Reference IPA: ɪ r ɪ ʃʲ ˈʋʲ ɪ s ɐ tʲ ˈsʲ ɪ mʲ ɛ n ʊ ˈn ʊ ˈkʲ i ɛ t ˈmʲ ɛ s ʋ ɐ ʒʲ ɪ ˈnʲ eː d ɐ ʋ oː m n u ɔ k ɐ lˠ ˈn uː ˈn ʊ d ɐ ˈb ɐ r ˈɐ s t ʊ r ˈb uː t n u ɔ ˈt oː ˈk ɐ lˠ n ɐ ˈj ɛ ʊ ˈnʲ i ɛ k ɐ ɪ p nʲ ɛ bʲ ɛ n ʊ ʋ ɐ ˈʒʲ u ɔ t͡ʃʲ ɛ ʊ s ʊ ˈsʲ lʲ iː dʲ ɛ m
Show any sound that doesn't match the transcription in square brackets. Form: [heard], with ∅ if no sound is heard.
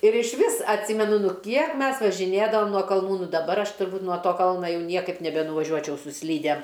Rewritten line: ɪ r ɪ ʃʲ ˈʋʲ ɪ s ɐ tʲ ˈsʲ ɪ mʲ ɛ n ʊ ˈn ʊ ˈkʲ i ɛ [k] ˈmʲ ɛ s ʋ ɐ ʒʲ ɪ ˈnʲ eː d ɐ ʋ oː m n u ɔ k ɐ lˠ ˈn uː ˈn ʊ d ɐ ˈb ɐ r ˈɐ [ʃ] t ʊ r ˈb uː t n u ɔ ˈt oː ˈk ɐ lˠ n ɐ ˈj ɛ ʊ ˈnʲ i ɛ k ɐ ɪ p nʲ ɛ bʲ ɛ n ʊ ʋ ɐ ˈʒʲ u ɔ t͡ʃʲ ɛ ʊ s ʊ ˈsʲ lʲ iː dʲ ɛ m

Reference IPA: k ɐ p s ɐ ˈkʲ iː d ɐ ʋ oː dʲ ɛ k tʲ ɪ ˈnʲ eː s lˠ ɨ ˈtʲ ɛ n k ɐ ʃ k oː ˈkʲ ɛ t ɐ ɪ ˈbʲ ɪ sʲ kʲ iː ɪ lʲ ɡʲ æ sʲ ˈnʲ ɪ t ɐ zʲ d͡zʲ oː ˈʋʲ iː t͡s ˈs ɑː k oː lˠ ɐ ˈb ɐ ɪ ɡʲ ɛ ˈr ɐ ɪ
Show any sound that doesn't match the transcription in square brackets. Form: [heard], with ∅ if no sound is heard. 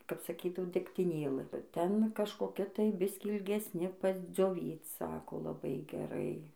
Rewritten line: k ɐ p s ɐ ˈkʲ iː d ɐ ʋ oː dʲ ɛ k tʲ ɪ ˈnʲ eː [∅] lˠ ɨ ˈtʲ ɛ n k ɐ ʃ k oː ˈkʲ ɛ t ɐ ɪ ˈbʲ ɪ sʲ kʲ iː ɪ lʲ ɡʲ [ɛ] sʲ ˈnʲ ɪ [p] ɐ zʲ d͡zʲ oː ˈʋʲ iː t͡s ˈs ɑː k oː lˠ ɐ ˈb ɐ ɪ ɡʲ ɛ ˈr ɐ ɪ

